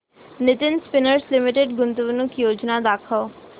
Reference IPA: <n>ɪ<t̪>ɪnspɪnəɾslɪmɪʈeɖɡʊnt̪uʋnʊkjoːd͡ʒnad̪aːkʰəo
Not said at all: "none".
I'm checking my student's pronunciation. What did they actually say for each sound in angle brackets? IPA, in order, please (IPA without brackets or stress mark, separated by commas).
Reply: n, t̪